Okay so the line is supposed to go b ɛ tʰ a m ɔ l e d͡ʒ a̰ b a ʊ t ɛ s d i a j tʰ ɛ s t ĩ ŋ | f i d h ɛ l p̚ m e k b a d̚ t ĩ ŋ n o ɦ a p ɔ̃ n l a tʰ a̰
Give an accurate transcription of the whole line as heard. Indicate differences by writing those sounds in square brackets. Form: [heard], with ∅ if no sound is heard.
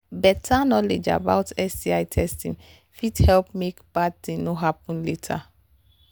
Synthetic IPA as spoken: b ɛ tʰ a [n] ɔ l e d͡ʒ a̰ b a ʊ t ɛ s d i a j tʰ ɛ s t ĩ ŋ | f i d h ɛ l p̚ m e k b a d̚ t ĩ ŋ n o ɦ a p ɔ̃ n l [e] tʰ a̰